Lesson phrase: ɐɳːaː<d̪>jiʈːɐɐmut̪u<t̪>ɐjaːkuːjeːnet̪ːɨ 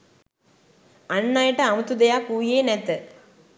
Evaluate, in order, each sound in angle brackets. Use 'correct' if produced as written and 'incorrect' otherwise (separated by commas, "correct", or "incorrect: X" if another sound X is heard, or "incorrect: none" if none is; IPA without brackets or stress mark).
incorrect: none, incorrect: d̪